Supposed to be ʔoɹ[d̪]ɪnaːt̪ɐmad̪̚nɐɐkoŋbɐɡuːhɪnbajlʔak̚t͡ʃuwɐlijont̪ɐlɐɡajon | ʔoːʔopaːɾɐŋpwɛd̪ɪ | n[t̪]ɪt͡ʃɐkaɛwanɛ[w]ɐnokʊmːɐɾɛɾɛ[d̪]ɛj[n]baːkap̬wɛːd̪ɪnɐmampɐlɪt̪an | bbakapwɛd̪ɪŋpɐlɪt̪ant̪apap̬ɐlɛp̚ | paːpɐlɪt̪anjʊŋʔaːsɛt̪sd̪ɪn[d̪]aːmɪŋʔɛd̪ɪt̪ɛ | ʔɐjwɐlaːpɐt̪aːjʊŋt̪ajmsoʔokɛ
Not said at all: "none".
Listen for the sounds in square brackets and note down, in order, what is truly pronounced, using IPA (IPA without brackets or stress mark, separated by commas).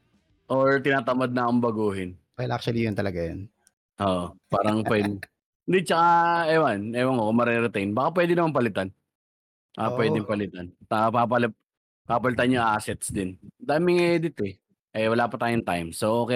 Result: t̪, d̪, w, t̪, n, d̪